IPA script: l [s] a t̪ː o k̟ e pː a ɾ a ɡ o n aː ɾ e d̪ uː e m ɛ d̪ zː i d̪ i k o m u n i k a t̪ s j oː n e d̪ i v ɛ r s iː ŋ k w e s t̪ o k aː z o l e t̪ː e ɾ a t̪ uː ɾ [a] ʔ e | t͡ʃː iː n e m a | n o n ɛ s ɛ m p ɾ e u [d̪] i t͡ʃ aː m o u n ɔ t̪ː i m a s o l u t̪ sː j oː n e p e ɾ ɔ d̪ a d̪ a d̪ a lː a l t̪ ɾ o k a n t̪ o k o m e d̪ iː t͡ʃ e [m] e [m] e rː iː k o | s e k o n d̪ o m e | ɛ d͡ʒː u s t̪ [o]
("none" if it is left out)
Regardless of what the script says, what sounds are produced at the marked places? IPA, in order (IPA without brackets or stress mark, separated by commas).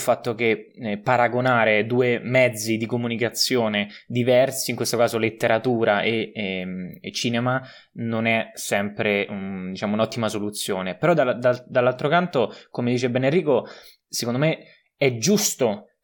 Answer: f, a, d̪, b, n, o